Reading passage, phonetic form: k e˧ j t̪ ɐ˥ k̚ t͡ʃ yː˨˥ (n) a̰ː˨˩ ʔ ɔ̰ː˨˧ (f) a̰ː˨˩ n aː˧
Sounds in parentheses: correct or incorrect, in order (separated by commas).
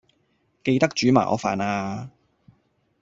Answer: incorrect, correct